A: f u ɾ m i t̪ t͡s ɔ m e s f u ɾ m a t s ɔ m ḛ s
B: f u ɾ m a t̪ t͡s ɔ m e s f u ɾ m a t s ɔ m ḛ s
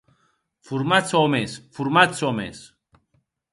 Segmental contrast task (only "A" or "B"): B